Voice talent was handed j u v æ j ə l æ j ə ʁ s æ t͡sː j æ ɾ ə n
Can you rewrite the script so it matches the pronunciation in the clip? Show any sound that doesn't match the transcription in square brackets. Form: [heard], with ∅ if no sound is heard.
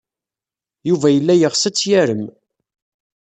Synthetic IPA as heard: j u v æ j ə [lː] æ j ə ʁ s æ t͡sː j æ ɾ ə [m]